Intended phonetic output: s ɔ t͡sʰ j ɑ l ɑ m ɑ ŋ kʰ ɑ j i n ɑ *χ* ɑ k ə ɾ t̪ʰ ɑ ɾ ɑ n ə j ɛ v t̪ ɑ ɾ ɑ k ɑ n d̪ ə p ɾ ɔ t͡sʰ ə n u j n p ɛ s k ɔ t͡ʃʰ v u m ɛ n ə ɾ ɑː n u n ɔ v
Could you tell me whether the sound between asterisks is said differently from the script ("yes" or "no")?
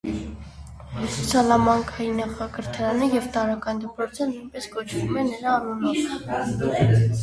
no